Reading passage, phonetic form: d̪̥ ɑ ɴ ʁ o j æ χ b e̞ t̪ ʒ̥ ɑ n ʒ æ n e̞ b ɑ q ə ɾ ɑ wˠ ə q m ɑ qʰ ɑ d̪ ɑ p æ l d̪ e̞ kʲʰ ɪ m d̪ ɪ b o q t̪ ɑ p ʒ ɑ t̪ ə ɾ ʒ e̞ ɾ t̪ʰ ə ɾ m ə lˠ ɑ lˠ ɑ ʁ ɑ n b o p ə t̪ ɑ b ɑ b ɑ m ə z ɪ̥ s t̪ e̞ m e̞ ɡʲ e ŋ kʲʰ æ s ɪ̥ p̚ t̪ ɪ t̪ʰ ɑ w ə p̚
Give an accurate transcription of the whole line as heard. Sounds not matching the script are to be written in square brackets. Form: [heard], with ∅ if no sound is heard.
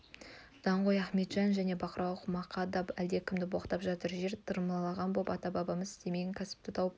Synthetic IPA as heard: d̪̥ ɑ ɴ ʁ o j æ χ [m] e̞ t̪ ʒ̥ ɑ n ʒ æ n e̞ b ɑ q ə ɾ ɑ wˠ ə q m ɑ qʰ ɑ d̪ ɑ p æ l d̪ e̞ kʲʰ ɪ m d̪ ɪ b o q t̪ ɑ p ʒ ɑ t̪ ə ɾ ʒ e̞ ɾ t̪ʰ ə ɾ m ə lˠ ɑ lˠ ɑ ʁ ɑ n b o p [ɑ] t̪ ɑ b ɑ b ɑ m ə z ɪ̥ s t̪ e̞ m e̞ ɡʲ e ŋ kʲʰ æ s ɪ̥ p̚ t̪ ɪ t̪ʰ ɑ w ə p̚

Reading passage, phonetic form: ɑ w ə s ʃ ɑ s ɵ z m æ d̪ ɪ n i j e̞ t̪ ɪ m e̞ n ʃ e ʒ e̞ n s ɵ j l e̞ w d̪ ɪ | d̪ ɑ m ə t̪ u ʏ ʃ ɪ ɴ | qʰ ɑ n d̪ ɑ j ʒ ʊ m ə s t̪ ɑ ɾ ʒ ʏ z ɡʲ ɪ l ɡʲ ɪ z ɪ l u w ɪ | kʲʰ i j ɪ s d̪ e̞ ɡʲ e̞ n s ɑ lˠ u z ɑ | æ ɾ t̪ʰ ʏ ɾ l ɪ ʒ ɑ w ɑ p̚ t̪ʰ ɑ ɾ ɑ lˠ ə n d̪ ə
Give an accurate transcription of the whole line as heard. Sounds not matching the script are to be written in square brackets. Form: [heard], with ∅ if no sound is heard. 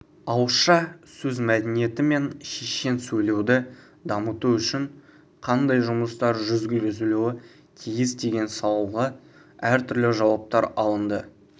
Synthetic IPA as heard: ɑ w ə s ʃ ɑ s ɵ z m æ d̪ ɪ n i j e̞ t̪ ɪ m e̞ n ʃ e [ʃ] e̞ n s ɵ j l e̞ w d̪ ɪ | d̪ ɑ m ə t̪ u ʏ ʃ ɪ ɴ | qʰ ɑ n d̪ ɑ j ʒ ʊ m ə s t̪ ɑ ɾ ʒ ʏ z ɡʲ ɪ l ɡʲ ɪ z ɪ l u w ɪ | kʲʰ i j ɪ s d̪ e̞ ɡʲ e̞ n s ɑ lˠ u [ʁ] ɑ | æ ɾ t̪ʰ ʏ ɾ l ɪ ʒ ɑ w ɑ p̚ [t̪] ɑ ɾ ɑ lˠ ə n d̪ ə

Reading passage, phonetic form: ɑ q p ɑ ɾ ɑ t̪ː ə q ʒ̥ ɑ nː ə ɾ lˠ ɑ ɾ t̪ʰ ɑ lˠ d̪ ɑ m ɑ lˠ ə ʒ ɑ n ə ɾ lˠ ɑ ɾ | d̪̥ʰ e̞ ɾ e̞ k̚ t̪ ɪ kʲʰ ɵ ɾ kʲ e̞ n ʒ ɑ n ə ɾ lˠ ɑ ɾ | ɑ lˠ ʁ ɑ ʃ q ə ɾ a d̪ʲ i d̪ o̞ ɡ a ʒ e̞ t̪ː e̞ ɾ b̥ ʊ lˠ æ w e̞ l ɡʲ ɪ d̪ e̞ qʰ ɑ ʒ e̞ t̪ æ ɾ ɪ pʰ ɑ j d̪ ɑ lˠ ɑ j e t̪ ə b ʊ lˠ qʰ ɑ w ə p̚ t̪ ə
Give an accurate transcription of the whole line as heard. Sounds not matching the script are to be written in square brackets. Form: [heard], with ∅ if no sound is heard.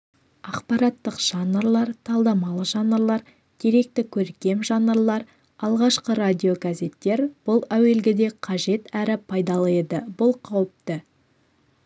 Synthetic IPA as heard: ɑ q p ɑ ɾ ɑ t̪ː ə q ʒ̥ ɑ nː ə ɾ lˠ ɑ ɾ t̪ʰ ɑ lˠ d̪ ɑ m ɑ lˠ ə ʒ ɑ n ə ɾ lˠ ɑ ɾ | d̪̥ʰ e̞ ɾ e̞ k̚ t̪ ɪ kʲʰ ɵ ɾ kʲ e̞ [m] ʒ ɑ n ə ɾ lˠ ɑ ɾ | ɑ lˠ ʁ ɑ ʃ q ə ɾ a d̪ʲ i [∅] o̞ ɡ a [z] e̞ t̪ː e̞ ɾ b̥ ʊ lˠ æ w e̞ l ɡʲ ɪ d̪ e̞ qʰ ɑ ʒ e̞ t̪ æ ɾ ɪ pʰ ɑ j d̪ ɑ lˠ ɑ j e [d̪] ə b ʊ lˠ qʰ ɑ w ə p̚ t̪ ə

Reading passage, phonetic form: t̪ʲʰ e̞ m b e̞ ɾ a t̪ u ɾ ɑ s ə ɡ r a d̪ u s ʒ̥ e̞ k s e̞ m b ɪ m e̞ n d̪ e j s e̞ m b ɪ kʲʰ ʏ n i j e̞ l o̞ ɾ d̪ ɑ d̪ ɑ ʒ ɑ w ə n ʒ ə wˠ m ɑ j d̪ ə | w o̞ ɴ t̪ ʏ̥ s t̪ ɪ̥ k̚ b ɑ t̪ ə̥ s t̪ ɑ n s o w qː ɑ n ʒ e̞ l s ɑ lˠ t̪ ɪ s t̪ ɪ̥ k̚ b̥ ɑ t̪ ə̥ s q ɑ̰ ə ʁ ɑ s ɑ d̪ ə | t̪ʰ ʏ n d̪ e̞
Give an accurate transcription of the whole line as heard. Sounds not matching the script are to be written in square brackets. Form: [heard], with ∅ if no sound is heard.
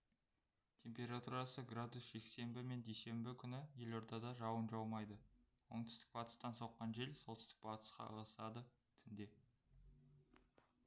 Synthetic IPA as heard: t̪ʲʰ e̞ m [p] e̞ ɾ a t̪ u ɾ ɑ s ə ɡ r a d̪ u s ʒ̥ e̞ k s e̞ m b ɪ m e̞ n d̪ e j s e̞ m b ɪ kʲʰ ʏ n [ɪ] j e̞ l o̞ ɾ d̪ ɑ d̪ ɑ ʒ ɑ w ə n ʒ [ɑ] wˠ m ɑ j d̪ ə | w o̞ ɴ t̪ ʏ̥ s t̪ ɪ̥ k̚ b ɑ t̪ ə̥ s t̪ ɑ n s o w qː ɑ n ʒ e̞ l s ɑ lˠ t̪ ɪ s t̪ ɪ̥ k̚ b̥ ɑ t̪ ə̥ s q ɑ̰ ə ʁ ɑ s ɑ d̪ ə | t̪ʰ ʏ n d̪ e̞

